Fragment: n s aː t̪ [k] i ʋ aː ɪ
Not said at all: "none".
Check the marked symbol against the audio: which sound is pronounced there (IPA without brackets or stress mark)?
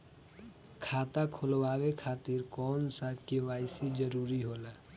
k